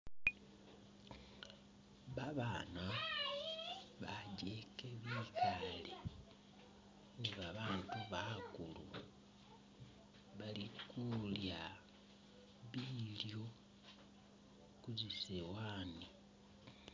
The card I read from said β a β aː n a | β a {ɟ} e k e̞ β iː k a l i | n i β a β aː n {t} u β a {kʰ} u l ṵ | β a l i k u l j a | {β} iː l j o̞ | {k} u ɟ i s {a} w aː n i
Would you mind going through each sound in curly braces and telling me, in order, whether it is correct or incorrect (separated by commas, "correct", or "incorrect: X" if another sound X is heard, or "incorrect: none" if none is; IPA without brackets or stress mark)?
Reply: correct, correct, incorrect: k, correct, correct, incorrect: e